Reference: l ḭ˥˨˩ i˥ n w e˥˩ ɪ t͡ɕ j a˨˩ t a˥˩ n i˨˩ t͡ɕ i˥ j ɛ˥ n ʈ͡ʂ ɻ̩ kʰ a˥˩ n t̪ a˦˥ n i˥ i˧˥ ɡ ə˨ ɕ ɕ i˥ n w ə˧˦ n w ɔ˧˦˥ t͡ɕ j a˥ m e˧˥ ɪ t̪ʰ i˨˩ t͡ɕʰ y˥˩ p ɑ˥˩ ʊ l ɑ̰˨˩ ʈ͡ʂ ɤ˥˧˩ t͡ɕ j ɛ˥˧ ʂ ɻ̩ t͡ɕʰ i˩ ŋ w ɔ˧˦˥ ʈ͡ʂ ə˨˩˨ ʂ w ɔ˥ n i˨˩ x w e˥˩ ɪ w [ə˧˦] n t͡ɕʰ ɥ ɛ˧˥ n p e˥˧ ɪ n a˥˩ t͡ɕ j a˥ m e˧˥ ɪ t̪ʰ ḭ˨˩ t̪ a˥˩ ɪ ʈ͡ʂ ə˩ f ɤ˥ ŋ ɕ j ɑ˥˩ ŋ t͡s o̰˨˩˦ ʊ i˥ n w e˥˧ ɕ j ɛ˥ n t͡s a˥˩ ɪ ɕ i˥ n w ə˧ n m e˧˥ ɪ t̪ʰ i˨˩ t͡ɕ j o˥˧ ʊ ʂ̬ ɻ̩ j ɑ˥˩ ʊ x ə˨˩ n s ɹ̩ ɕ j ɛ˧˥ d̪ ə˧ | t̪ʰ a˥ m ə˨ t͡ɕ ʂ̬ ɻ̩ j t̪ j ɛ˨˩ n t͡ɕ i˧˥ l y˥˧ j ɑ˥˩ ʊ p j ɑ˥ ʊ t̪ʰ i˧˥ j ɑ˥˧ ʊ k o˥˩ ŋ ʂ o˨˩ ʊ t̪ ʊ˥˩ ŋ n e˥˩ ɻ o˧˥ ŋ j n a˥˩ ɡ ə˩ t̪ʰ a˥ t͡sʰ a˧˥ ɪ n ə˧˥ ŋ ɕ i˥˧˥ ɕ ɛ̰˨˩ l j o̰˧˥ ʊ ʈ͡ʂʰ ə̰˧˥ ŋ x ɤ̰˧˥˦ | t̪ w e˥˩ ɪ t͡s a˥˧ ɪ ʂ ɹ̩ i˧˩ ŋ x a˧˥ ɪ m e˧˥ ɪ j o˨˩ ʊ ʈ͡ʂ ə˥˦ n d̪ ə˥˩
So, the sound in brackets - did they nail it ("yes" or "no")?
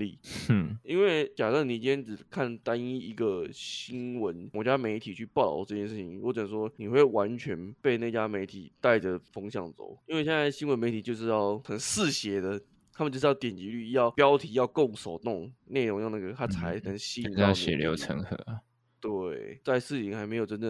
no